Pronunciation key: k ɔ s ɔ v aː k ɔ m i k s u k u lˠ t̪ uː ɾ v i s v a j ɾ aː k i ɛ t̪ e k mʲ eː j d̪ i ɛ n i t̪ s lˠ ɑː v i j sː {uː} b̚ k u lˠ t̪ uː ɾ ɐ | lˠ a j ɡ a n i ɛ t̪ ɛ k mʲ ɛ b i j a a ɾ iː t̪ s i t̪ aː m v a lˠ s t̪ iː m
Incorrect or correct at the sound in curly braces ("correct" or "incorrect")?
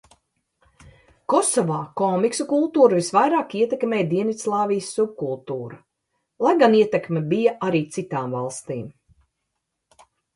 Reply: incorrect